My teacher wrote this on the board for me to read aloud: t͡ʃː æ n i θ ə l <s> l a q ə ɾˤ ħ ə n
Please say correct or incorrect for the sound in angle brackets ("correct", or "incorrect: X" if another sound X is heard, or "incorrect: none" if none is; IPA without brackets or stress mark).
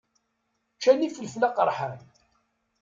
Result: incorrect: f